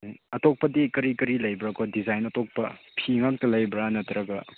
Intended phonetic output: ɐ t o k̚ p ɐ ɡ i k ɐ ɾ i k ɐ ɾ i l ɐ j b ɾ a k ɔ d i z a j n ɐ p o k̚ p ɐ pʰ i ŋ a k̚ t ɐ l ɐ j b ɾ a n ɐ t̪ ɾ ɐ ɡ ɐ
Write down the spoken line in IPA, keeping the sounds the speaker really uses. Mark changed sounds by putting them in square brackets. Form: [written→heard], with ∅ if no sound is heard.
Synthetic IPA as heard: ɐ t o k̚ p ɐ [ɡ→d] i k ɐ ɾ i k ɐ ɾ i l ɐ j b ɾ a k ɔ d i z a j n ɐ [p→t] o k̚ p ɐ pʰ i ŋ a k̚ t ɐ l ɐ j b ɾ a n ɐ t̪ ɾ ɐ ɡ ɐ